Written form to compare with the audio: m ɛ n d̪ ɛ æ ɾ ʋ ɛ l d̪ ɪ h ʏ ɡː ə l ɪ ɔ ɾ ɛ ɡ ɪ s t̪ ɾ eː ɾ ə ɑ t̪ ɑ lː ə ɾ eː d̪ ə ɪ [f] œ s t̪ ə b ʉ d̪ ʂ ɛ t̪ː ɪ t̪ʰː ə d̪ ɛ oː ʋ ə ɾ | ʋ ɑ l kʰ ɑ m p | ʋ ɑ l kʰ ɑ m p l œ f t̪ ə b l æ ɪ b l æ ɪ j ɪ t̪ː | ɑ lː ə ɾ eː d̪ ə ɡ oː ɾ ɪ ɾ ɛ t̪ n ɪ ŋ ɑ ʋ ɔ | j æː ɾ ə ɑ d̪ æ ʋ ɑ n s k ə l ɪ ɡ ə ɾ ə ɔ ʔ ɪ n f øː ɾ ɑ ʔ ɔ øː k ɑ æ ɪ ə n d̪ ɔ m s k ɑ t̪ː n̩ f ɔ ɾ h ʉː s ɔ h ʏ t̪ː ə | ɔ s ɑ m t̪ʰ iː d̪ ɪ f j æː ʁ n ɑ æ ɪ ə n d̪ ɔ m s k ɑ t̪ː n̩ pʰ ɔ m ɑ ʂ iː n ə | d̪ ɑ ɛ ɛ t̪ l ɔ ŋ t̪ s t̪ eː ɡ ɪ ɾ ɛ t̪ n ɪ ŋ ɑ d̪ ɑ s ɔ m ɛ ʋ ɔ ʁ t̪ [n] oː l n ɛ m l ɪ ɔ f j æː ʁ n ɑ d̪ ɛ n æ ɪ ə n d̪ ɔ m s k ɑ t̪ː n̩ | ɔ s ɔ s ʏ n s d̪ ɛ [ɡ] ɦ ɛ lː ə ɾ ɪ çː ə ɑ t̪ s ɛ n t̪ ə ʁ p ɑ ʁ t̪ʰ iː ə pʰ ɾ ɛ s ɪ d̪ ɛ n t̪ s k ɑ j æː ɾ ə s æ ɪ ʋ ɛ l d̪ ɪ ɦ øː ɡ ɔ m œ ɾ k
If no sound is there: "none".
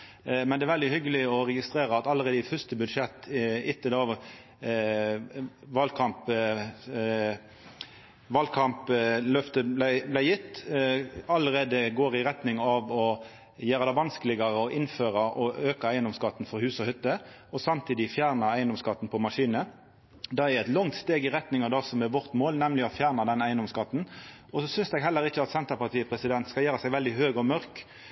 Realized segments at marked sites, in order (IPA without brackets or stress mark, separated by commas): f, m, ɡ